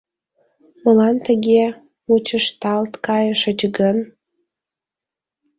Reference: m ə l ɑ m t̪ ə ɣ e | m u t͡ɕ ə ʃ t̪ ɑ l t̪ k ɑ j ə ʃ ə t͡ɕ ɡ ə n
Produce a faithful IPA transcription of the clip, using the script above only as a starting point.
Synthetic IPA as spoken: m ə l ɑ n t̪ ə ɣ e | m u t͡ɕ ə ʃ t̪ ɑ l t̪ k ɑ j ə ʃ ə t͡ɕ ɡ ə n

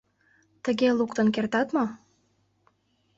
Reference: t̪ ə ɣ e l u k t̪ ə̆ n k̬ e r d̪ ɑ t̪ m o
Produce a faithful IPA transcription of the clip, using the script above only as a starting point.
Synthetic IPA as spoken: t̪ ə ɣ e l u k t̪ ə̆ n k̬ e r t̪ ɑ t̪ m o

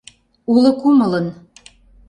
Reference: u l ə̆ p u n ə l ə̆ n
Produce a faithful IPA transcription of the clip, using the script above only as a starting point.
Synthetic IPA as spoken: u l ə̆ k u m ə l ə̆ n

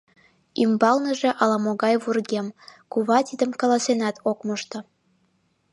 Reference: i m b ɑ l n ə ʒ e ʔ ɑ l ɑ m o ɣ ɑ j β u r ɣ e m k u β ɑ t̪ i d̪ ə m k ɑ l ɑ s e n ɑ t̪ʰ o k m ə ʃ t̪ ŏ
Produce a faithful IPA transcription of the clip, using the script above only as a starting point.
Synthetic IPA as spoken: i m b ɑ l n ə ʒ e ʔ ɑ l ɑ m o ɣ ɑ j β u r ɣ e m k u β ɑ t̪ i d̪ ə m k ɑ l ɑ s e n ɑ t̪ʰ o k m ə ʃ t̪ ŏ

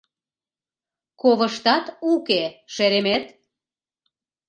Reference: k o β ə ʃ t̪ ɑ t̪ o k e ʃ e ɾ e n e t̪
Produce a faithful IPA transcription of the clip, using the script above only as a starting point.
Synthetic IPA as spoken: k o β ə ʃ t̪ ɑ t̪ u k e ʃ e ɾ e m e t̪

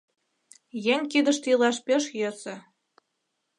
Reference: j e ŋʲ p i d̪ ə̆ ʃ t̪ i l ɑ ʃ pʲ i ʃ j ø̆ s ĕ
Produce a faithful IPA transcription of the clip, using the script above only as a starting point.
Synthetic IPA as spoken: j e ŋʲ k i d̪ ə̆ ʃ t̪ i l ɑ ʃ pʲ e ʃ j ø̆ s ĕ

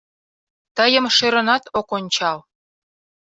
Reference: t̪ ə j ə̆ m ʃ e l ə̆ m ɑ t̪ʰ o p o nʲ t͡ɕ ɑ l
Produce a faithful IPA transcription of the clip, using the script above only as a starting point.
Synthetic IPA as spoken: t̪ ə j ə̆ m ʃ e ɾ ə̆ n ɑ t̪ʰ o k o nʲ t͡ɕ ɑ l

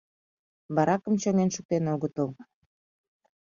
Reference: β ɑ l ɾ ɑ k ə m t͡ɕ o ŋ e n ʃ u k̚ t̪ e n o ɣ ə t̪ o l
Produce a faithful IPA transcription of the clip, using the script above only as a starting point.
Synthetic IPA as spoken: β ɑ ɾ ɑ k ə m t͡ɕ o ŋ e n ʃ u k̚ t̪ e n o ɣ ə t̪ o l

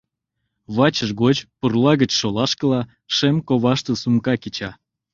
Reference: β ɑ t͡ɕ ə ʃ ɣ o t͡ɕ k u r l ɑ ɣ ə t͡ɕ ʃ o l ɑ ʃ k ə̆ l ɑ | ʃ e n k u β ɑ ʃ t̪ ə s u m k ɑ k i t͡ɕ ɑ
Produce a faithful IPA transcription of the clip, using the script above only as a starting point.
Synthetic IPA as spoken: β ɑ t͡ɕ ə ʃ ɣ o t͡ɕ p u r l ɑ ɣ ə t͡ɕ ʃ o l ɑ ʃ k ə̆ l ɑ | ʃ e m k o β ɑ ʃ t̪ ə s u m k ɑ k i t͡ɕ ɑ

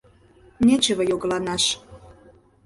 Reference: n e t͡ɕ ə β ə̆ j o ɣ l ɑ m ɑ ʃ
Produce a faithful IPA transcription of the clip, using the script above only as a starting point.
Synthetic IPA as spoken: n e t͡ɕ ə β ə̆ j o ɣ l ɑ n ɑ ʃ

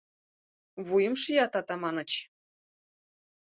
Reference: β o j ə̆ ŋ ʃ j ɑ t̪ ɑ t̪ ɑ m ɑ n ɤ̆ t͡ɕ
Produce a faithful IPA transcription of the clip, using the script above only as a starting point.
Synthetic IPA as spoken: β u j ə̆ m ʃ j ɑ t̪ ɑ t̪ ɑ m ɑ n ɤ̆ t͡ɕ

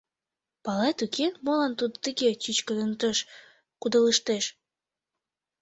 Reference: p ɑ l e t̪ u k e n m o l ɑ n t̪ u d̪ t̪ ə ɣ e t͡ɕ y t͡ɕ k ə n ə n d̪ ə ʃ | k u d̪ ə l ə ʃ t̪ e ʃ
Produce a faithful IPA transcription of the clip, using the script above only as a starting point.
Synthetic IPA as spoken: p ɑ l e t̪ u k e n m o l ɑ n t̪ u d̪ t̪ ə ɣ e t͡ɕ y t͡ɕ k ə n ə n t̪ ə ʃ | k u d̪ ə l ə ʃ t̪ e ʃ

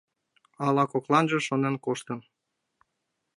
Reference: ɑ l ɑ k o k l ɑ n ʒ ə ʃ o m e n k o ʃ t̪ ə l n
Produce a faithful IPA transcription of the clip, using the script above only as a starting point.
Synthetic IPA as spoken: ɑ l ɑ k o k l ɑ n ʒ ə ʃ o n e n k o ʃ t̪ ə n

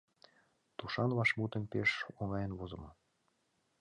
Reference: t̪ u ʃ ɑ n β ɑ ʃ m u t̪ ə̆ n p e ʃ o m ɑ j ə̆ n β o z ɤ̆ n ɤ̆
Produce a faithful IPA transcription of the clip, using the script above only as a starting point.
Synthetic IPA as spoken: t̪ u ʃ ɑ n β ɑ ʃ m u t̪ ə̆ n p e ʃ o ŋ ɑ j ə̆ n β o z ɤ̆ m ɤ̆

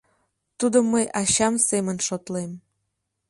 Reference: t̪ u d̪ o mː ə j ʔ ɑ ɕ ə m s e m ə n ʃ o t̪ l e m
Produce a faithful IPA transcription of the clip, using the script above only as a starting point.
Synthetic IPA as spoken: t̪ u d̪ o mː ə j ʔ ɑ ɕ ɑ m s e m ə n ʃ o t̪ l e m

